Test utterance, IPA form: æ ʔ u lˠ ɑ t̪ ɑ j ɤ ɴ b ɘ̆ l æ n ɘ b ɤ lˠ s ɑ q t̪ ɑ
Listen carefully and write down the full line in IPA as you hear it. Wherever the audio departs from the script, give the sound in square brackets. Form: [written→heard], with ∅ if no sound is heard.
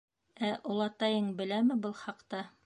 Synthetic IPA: æ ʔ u lˠ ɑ t̪ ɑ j ɤ ɴ b ɘ̆ l æ [n→m] ɘ b ɤ lˠ [s→χ] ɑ q t̪ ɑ